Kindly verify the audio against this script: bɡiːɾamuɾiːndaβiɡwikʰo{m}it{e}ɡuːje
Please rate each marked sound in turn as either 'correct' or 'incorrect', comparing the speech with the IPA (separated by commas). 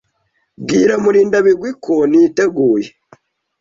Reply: incorrect, correct